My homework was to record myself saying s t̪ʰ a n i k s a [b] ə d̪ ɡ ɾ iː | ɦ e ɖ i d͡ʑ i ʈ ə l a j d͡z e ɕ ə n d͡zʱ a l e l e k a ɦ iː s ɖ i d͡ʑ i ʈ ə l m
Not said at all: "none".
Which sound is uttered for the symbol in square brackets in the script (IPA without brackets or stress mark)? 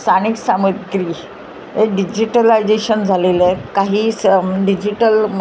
m